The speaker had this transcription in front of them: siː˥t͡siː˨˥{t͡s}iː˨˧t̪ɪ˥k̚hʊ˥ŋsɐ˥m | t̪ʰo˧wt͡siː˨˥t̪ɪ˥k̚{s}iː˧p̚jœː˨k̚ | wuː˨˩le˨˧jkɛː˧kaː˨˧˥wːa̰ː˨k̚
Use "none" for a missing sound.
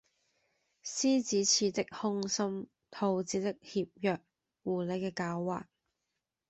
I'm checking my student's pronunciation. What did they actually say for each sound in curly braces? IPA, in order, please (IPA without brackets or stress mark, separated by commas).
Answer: t͡sʰ, h